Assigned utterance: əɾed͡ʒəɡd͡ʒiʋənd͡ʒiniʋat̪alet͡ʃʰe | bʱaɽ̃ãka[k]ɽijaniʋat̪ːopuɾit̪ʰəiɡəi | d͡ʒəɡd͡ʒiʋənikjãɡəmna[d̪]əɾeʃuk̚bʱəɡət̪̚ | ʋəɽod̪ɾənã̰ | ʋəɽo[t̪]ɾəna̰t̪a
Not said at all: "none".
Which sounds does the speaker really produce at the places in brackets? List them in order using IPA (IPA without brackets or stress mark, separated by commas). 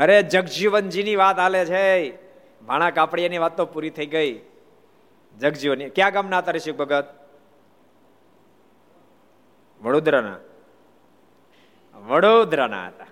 p, t̪, d̪